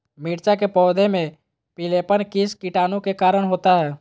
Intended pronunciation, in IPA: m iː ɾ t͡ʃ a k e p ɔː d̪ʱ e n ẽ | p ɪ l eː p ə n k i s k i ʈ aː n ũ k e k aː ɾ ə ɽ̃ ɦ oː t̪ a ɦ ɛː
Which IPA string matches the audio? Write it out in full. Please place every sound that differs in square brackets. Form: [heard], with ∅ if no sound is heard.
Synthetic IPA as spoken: m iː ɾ t͡ʃ a k e p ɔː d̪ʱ e [m] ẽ | p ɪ l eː p ə n k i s k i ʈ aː n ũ k e k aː ɾ ə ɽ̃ ɦ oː t̪ a ɦ ɛː